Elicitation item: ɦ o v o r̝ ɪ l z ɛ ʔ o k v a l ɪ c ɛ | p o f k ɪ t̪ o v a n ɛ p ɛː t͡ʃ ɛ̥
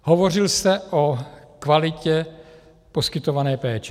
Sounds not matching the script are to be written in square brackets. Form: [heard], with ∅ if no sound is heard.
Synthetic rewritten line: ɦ o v o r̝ ɪ l [s] ɛ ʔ o k v a l ɪ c ɛ | p o [s] k ɪ t̪ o v a n [ɛː] p ɛː t͡ʃ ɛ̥